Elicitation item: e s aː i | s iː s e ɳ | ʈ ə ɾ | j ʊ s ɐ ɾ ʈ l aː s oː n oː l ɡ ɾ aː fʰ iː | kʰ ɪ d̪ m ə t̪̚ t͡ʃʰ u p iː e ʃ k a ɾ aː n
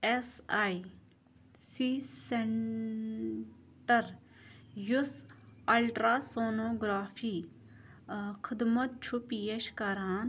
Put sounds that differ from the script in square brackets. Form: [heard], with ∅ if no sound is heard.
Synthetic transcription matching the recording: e s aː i | s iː s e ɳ | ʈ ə ɾ | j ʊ s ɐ [l] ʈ [ɾ] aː s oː n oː [∅] ɡ ɾ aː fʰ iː | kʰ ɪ d̪ m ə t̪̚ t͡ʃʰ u p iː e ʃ k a ɾ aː n